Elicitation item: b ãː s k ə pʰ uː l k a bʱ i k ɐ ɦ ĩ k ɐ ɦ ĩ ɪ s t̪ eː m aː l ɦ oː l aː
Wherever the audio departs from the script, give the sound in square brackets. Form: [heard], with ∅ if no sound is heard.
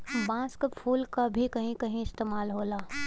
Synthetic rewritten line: b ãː s k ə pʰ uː l k a bʱ i k ɐ ɦ ĩ k ɐ ɦ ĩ ɪ s t̪ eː m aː l ɦ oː l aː